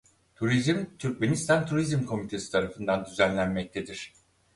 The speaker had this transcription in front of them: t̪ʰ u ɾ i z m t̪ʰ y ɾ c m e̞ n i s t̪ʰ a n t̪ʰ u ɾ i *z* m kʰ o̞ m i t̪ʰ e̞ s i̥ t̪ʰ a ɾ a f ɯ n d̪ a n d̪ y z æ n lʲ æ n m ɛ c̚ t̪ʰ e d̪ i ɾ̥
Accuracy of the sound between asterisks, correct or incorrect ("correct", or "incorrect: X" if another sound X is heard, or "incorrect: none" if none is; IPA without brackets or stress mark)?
correct